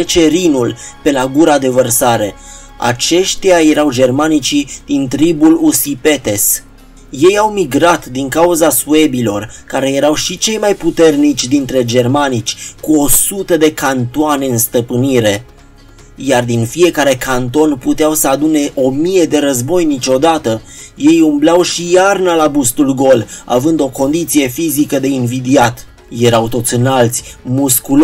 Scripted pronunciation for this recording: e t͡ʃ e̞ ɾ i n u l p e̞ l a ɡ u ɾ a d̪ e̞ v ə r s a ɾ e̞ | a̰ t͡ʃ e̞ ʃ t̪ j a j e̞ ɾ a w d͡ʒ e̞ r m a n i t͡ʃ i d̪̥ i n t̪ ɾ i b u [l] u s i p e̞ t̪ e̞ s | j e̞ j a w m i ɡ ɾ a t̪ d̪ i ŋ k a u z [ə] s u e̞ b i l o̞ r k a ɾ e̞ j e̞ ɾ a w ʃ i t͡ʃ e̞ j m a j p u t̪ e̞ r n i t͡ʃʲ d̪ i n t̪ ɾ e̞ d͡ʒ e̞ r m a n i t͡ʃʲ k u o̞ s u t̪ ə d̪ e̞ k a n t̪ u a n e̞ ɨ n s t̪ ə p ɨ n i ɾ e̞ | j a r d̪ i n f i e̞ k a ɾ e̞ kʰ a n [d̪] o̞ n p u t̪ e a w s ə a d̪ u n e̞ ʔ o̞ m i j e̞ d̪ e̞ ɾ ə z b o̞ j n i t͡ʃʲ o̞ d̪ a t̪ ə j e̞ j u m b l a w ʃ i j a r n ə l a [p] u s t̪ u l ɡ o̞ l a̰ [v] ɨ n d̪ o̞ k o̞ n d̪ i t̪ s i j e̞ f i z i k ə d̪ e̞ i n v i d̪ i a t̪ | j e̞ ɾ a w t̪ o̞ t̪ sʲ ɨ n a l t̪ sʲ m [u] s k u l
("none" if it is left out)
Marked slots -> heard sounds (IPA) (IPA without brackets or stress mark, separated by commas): l, a, t̪, b, v, u